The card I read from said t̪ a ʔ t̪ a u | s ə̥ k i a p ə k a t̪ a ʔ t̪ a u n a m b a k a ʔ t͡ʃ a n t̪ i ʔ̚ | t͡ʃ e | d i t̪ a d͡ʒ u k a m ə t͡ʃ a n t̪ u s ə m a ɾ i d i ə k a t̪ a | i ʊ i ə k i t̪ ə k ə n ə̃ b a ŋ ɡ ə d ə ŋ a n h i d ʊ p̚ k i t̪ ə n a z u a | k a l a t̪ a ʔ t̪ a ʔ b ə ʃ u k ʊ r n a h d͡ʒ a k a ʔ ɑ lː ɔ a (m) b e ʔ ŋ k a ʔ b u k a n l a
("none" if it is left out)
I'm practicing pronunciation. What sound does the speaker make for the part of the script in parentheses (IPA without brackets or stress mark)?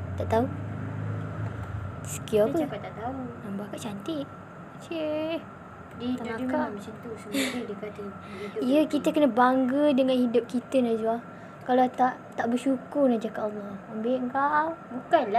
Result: m